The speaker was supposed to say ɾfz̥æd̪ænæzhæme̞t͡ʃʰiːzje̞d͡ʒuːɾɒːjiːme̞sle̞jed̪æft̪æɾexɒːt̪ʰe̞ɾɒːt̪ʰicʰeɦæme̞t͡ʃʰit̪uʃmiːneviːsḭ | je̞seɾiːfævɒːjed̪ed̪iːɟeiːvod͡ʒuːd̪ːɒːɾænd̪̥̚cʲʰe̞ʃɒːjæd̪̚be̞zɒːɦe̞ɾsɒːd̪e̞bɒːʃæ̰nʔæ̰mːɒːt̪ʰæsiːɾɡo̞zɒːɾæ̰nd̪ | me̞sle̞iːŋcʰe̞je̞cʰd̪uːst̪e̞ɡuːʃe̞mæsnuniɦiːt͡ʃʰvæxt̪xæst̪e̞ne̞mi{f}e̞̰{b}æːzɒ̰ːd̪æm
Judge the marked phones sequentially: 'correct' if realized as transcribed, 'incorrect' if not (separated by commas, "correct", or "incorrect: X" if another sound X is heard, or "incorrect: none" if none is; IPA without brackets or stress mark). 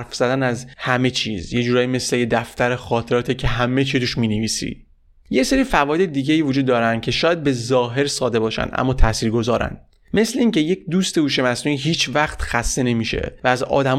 incorrect: ʃ, incorrect: v